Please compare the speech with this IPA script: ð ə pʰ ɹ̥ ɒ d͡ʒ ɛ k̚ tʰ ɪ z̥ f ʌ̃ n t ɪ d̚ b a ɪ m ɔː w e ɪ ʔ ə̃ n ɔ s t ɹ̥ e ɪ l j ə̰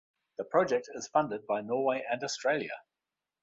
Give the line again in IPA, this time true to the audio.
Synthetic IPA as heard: ð ə pʰ ɹ̥ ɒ d͡ʒ ɛ k̚ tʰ ɪ z̥ f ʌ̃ n d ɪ d̚ b a ɪ n ɔː w e ɪ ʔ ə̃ n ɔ s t ɹ̥ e ɪ l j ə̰